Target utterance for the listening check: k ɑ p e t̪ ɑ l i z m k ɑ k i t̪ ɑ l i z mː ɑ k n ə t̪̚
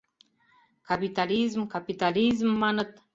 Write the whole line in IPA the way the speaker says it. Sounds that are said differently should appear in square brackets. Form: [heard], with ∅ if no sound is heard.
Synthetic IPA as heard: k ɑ p [i] t̪ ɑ l i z m k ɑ [p] i t̪ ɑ l i z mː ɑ [∅] n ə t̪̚